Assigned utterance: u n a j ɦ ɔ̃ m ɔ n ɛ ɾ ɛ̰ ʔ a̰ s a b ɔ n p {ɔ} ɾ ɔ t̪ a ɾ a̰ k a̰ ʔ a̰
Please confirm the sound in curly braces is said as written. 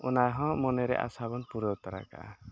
no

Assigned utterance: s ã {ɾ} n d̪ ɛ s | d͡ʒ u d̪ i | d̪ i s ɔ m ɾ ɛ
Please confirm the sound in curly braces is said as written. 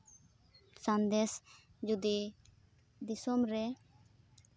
no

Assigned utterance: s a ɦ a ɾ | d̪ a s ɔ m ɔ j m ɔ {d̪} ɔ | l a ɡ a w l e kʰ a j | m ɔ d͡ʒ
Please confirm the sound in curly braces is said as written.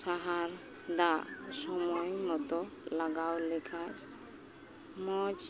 no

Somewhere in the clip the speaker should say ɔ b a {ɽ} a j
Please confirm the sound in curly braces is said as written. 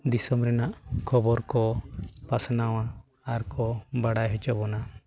yes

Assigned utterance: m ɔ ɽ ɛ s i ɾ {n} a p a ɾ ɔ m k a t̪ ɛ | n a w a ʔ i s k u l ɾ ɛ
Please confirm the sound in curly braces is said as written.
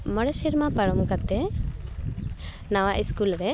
no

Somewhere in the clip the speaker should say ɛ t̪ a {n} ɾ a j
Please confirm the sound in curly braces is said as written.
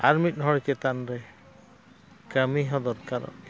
yes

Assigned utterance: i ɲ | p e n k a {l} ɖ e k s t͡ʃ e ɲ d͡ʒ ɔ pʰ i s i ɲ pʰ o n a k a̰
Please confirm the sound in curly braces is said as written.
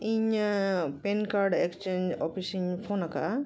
no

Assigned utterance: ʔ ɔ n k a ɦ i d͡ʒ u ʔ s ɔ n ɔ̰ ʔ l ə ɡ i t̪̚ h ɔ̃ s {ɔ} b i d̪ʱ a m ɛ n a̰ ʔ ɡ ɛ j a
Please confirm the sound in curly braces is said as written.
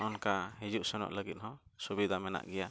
no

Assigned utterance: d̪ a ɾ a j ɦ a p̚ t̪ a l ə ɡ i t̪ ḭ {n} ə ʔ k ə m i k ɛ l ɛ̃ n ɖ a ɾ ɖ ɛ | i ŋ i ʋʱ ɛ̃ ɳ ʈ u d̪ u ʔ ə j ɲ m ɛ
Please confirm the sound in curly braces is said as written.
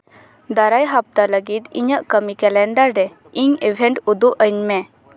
no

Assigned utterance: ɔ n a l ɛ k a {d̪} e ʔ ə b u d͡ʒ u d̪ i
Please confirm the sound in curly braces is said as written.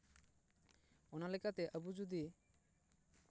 no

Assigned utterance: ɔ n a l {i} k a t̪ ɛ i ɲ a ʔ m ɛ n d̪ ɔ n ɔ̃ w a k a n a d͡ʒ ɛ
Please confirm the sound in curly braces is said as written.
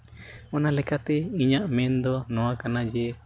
no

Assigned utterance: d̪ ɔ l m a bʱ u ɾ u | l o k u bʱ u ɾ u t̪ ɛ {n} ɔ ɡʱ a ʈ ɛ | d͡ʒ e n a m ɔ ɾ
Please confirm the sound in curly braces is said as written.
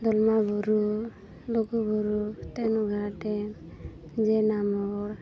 yes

